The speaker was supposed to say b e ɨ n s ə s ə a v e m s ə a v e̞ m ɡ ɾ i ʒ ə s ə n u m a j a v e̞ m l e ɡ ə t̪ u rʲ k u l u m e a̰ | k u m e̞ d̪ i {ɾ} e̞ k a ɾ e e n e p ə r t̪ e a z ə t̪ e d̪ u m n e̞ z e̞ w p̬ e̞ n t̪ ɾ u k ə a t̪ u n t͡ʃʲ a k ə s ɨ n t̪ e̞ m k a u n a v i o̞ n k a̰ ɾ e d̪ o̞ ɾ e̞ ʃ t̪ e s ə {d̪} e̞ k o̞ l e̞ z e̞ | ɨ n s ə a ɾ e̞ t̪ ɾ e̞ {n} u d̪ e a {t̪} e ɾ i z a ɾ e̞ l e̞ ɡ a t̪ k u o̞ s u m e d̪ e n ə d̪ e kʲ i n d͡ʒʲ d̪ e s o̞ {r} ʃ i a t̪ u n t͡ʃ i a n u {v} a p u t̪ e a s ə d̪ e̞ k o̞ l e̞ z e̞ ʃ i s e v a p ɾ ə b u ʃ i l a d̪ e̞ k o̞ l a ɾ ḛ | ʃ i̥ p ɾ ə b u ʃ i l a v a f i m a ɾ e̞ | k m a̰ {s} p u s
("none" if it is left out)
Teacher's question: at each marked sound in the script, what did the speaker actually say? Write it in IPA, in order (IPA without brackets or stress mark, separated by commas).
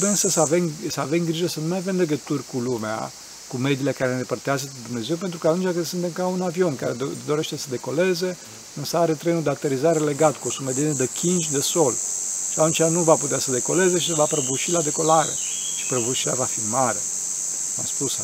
l, d̪, n, t̪, l, v, s